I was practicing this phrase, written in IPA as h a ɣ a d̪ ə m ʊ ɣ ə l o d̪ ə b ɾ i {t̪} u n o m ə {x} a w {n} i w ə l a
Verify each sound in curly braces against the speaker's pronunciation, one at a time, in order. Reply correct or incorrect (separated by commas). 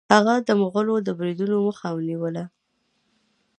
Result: incorrect, correct, correct